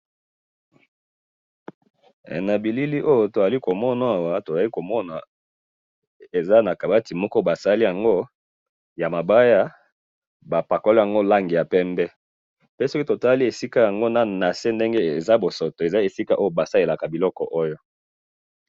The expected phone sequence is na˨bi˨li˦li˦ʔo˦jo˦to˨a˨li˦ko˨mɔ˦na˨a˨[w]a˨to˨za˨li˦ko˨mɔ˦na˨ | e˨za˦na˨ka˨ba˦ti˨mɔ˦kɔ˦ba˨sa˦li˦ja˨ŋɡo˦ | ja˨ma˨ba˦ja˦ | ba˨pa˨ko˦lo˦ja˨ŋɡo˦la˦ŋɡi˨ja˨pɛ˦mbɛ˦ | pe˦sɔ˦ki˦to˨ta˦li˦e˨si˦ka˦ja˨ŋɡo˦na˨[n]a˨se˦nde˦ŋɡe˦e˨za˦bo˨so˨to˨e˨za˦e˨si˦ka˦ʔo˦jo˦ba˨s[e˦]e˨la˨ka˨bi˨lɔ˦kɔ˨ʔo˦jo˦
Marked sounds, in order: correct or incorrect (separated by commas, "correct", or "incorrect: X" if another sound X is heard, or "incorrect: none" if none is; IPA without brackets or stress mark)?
correct, correct, incorrect: a˦